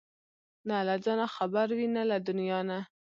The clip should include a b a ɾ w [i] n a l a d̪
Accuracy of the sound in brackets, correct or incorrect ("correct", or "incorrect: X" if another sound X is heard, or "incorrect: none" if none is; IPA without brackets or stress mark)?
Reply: correct